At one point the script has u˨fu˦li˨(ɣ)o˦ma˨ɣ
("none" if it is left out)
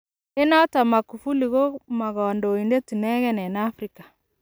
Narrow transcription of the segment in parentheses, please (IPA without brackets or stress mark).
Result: ɣ